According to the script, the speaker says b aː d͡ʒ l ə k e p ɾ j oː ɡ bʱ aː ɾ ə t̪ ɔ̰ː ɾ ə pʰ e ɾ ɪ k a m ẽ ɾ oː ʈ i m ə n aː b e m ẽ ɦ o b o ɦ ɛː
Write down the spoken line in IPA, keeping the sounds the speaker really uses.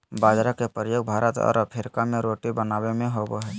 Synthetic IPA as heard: b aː d͡ʒ ɾ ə k e p ɾ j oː ɡ bʱ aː ɾ ə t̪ ɔ̰ː ɾ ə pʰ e ɾ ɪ k a m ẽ ɾ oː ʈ i b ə n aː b e m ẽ ɦ o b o ɦ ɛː